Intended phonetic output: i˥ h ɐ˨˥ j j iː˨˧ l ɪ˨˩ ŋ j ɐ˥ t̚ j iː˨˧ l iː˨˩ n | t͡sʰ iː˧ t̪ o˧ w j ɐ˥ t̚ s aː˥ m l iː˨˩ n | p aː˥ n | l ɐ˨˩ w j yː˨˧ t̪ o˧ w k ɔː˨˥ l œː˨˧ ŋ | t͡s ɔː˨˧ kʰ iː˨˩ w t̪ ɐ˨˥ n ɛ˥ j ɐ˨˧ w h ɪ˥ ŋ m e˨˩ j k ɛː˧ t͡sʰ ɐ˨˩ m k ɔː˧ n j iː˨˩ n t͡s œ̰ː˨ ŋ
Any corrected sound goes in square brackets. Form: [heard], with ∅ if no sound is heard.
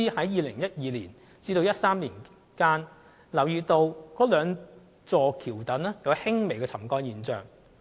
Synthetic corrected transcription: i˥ h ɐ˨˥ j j iː˨˧ l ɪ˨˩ ŋ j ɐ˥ t̚ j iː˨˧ l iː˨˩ n | [t͡s] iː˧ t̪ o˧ w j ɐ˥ t̚ s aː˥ m l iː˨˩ n | [k] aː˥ n | l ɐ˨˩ w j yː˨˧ t̪ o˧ w k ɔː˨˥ l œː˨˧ ŋ | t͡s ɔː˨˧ kʰ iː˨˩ w t̪ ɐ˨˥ n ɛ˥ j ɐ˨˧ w h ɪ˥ ŋ m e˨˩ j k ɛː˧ t͡sʰ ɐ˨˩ m k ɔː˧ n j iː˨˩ n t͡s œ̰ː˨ ŋ